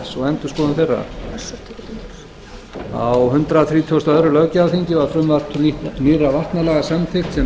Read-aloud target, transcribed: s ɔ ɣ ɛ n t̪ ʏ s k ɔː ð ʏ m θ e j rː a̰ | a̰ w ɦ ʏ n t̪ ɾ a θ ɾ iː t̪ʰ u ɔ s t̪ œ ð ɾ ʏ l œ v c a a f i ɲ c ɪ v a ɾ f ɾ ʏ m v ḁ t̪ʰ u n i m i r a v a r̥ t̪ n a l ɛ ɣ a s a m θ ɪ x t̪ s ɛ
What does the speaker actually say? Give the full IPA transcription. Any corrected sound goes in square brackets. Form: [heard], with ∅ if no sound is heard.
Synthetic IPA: s ɔ ɣ ɛ n t̪ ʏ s k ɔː ð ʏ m θ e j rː a̰ | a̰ w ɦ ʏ n t̪ ɾ a θ ɾ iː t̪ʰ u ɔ s t̪ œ ð ɾ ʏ l œ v c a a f i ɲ c ɪ v a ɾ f ɾ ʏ m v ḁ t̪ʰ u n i [n] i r a v a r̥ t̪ n a l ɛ ɣ a s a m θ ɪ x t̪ s ɛ